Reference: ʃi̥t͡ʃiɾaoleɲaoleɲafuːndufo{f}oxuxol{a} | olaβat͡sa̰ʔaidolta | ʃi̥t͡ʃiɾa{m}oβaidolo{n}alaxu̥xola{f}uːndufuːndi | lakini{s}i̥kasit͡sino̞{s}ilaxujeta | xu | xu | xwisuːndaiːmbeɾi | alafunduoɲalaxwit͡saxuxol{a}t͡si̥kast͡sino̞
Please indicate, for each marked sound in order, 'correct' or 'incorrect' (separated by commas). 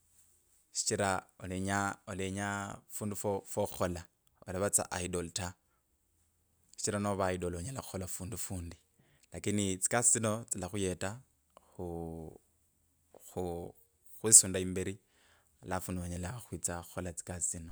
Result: correct, correct, incorrect, incorrect, correct, incorrect, incorrect, correct